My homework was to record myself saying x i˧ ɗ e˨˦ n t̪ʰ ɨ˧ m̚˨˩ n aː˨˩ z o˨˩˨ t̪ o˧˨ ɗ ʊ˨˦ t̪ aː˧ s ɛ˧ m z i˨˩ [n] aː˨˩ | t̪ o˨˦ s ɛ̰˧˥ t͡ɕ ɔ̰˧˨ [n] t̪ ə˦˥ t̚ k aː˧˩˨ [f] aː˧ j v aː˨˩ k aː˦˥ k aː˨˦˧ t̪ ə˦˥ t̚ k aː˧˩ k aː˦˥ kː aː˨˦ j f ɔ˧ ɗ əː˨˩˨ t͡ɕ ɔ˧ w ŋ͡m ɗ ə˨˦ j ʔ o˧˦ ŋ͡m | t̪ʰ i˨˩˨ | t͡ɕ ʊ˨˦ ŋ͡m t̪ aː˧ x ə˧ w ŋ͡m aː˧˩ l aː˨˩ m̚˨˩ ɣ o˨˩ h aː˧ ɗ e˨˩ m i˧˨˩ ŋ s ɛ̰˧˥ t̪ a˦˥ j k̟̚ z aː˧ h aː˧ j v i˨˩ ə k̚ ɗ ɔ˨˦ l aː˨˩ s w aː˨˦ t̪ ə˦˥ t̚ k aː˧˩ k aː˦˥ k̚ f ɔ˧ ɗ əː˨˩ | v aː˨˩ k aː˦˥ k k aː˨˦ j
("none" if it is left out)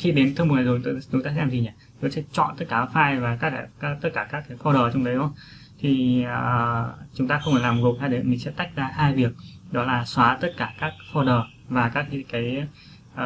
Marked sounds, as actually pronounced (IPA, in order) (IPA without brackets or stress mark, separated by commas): ɲ, n, f